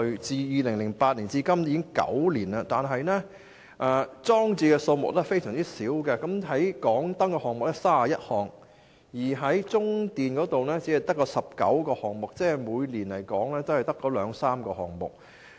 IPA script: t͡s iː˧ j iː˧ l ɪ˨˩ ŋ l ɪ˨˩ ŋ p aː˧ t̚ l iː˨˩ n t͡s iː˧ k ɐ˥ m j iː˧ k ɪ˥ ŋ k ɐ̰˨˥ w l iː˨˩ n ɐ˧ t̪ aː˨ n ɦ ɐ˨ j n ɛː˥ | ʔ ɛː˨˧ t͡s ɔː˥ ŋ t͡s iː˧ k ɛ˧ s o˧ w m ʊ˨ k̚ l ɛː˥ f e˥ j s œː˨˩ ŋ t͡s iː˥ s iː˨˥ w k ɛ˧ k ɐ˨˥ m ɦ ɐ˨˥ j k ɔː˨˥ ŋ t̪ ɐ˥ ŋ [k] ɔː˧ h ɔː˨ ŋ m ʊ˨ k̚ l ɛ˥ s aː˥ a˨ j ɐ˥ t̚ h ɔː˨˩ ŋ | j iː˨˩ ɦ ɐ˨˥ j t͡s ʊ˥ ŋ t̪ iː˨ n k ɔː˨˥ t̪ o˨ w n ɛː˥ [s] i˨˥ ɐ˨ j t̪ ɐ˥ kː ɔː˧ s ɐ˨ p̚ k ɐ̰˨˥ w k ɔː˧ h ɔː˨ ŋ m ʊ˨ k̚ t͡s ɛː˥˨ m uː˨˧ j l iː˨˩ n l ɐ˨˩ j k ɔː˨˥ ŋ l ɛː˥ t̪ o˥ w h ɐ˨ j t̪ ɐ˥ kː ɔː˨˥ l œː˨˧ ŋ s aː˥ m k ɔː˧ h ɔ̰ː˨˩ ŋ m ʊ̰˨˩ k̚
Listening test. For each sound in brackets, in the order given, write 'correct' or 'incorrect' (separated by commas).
correct, incorrect